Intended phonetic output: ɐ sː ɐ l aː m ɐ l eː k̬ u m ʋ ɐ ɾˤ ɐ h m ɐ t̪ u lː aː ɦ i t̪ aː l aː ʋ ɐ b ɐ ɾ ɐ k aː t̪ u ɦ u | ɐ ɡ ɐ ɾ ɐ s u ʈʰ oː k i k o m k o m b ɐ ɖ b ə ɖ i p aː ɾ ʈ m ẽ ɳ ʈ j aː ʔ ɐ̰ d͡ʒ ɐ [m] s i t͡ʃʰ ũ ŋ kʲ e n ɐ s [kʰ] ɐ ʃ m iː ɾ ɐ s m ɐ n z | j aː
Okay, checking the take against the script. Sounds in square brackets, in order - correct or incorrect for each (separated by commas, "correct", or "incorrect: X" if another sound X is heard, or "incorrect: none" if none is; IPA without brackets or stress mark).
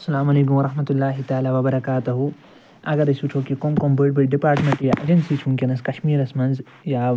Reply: incorrect: n, incorrect: k